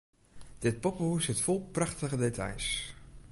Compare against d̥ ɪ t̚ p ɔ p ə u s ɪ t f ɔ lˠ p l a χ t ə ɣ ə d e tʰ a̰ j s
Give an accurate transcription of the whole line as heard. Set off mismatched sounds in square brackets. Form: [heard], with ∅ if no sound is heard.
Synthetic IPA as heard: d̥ ɪ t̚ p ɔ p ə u s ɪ t f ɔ lˠ p [r] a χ t ə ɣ ə d e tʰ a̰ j s

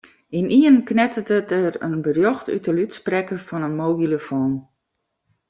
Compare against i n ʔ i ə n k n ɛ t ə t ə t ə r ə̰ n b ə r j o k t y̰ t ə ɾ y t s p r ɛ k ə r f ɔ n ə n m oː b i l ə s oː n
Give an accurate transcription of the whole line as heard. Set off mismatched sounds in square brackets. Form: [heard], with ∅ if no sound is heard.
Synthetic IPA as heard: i n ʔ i ə n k n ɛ t ə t ə t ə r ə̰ n b ə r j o [x] t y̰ t ə [l] y t s p r ɛ k ə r f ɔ n ə n m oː b i l ə [f] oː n

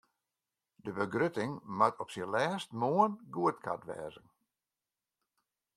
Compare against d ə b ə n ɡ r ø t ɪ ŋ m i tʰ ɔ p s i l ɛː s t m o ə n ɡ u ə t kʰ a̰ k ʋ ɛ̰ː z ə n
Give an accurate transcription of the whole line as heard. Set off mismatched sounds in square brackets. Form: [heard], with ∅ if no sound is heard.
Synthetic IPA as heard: d ə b ə [∅] ɡ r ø t ɪ ŋ m [a] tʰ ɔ p s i l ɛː s t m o ə n ɡ u ə t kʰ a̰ [t] ʋ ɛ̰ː z ə n

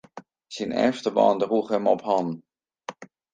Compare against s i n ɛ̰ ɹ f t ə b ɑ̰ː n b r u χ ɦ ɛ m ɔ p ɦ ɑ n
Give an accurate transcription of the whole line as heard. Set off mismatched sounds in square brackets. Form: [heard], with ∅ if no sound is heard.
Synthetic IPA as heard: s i n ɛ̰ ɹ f t ə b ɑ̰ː n [d] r u χ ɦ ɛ m ɔ p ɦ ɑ n

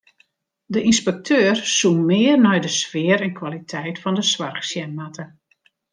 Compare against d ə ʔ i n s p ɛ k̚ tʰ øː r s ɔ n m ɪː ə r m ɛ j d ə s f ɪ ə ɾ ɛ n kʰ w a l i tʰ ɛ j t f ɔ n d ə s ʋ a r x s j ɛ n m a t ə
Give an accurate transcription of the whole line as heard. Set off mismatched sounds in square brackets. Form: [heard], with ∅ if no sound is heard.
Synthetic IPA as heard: d ə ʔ i n s p ɛ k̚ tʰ øː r s [u] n m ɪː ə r [n] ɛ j d ə s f ɪ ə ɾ ɛ n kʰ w a l i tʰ ɛ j t f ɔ n d ə s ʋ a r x s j ɛ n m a t ə

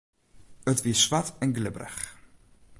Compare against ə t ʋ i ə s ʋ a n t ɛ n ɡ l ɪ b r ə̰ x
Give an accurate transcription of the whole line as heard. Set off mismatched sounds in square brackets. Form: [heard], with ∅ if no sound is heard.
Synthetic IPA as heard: ə t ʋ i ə s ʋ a [∅] t ɛ n ɡ l ɪ b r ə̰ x

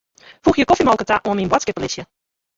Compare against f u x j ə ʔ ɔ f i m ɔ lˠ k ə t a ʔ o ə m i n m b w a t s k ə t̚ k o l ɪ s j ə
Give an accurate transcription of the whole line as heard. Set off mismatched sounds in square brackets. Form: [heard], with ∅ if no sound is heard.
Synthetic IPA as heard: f u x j ə [k] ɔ f i m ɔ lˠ k ə t a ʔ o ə m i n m b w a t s k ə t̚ [p] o l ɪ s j ə

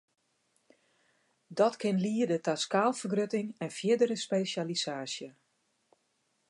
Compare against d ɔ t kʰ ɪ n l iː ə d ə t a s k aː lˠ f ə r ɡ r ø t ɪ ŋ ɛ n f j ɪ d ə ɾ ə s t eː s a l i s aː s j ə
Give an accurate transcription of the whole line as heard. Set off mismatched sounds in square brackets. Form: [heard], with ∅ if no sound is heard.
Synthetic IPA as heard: d ɔ t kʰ ɪ n l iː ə d ə t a s k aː lˠ f ə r ɡ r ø t ɪ ŋ ɛ n f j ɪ d ə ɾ ə s [p] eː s a l i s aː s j ə

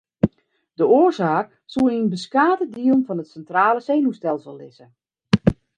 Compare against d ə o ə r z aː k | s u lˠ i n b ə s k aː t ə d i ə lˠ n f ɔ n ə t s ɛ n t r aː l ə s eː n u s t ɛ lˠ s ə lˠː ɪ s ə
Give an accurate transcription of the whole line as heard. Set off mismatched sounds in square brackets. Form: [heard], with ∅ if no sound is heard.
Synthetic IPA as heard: d ə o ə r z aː k | s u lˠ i n b ə s k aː t ə d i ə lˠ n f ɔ n ə t s ɛ n t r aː l ə s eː n u s t ɛ lˠ s ə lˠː ɪ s ə

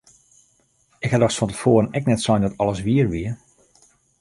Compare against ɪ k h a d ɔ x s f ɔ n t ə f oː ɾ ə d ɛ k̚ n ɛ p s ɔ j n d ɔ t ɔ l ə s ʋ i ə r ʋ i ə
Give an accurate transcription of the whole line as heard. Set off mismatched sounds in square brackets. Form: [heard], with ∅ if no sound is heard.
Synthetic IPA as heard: ɪ k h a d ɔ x s f ɔ n t ə f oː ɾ ə [n] ɛ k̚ n ɛ [t] s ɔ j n d ɔ t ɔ l ə s ʋ i ə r ʋ i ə

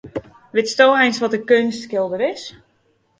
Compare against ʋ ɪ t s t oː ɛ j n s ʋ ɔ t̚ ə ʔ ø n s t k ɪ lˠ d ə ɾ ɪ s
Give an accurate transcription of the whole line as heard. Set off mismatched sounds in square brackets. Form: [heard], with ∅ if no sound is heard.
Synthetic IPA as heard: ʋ ɪ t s t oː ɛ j n s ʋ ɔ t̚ ə [k] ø n s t k ɪ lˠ d ə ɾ ɪ s

